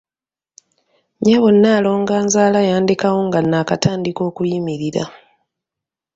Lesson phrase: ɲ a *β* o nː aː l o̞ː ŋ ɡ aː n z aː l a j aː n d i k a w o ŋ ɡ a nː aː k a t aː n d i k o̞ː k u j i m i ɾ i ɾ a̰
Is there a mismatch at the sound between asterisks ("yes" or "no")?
no